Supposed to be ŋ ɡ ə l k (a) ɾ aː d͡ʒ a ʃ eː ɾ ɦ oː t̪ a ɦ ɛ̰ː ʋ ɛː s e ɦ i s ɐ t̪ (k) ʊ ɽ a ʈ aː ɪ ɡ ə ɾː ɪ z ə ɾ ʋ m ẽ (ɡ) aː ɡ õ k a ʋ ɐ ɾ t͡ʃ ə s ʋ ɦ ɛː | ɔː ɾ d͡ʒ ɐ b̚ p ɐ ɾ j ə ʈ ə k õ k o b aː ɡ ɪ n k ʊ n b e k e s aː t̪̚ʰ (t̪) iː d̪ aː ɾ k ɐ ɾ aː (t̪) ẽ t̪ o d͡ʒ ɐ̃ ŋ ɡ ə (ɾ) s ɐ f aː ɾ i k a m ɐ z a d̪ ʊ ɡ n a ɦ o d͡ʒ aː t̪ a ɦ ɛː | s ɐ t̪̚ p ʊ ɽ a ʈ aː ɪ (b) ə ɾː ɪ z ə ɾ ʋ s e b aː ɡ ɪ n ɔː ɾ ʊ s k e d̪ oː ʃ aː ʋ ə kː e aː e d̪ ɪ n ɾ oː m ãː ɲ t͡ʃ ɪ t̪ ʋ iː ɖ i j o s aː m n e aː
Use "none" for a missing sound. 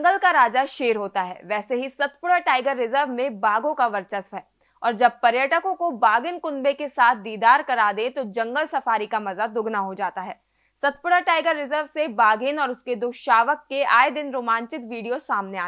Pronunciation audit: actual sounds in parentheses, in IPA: a, p, b, d̪, d̪, l, ɡ

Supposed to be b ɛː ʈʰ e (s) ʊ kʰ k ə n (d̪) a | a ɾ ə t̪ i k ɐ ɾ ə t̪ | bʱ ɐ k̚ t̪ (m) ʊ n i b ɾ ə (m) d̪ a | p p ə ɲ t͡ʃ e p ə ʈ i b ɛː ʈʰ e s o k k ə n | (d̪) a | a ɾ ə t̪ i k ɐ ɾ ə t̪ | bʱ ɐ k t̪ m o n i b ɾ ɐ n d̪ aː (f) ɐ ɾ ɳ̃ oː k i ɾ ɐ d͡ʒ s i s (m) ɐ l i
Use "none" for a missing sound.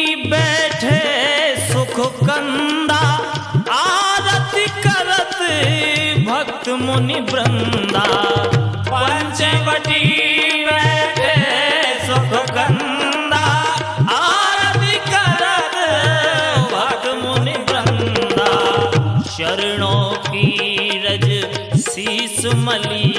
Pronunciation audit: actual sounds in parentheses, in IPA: s, d̪, m, n, d̪, ʃ, m

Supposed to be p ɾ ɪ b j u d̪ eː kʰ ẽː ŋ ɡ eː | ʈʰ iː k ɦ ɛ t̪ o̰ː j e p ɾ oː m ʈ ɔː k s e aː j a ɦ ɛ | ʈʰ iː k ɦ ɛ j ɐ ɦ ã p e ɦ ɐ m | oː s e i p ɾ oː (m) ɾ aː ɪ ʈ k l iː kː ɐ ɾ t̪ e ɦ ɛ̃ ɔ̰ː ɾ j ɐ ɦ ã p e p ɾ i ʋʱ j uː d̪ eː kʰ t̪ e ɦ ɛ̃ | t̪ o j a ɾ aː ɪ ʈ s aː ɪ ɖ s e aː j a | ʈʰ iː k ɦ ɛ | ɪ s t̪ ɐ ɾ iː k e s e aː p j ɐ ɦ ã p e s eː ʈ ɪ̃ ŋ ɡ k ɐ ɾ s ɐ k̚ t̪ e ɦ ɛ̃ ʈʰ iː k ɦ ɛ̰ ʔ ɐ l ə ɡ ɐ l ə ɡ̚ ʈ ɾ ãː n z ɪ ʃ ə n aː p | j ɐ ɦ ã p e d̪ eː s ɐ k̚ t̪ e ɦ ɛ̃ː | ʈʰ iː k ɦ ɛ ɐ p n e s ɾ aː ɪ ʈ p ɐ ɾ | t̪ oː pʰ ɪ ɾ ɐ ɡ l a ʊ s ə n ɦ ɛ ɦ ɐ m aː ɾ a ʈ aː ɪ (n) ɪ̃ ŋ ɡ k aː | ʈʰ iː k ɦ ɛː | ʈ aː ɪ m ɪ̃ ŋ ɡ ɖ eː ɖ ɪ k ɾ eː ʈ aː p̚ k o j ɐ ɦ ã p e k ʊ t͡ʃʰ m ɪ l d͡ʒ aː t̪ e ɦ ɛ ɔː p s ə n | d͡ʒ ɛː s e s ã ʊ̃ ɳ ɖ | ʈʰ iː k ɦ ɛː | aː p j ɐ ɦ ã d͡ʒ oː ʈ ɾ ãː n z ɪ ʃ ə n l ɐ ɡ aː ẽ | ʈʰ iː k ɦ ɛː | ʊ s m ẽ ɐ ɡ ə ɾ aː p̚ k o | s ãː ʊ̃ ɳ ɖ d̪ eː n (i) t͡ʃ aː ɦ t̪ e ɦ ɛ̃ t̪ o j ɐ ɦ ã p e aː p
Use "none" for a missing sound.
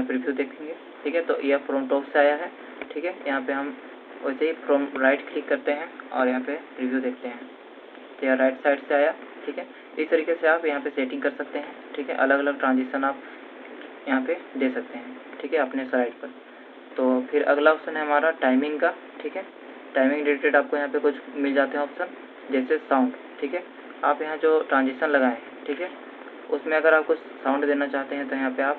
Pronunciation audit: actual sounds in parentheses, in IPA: m, m, a

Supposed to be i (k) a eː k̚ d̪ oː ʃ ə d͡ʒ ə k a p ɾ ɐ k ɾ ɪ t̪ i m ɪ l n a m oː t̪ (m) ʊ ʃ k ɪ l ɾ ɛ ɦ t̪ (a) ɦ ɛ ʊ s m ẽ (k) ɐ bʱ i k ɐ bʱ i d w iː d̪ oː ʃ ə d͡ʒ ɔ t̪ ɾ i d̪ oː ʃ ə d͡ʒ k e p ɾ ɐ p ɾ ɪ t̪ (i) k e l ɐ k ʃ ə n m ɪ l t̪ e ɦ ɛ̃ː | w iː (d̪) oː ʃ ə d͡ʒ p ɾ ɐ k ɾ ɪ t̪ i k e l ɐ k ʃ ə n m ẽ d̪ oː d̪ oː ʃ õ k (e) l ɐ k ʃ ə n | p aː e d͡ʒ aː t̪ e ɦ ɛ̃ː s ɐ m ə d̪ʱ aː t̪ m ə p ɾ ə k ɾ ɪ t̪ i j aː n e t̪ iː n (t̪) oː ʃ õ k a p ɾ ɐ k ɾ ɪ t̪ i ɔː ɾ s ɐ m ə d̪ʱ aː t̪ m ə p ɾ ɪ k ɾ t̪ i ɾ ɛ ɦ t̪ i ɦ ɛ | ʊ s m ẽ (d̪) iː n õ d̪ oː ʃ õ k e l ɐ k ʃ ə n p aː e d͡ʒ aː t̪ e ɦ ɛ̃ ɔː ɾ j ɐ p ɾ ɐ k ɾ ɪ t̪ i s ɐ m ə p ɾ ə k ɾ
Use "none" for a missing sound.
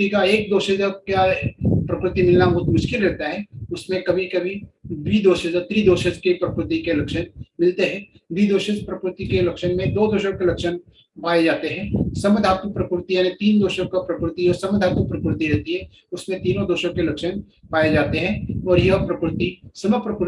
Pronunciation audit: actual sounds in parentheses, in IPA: k, m, a, k, i, d̪, e, d̪, t̪

